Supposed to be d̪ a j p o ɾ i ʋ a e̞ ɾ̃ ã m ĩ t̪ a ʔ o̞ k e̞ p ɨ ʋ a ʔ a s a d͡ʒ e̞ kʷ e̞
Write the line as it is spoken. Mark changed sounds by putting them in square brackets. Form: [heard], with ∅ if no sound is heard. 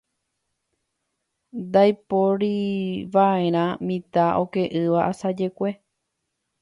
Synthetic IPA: d̪ a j p o ɾ i ʋ a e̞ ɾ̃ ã m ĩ t̪ a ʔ o̞ k e̞ [ʔ] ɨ ʋ a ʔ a s a d͡ʒ e̞ kʷ e̞